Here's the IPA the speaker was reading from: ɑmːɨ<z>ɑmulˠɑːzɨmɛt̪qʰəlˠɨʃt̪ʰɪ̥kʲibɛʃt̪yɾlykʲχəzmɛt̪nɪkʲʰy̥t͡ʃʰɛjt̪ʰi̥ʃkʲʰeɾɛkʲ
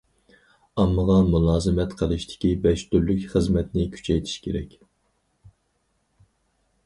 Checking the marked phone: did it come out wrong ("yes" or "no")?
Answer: yes